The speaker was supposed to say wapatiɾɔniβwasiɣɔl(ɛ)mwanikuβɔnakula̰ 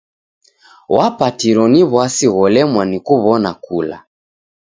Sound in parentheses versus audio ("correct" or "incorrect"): correct